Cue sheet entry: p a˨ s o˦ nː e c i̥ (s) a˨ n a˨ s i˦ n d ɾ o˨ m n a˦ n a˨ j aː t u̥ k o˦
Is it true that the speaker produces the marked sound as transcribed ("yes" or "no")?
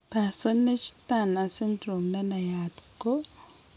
no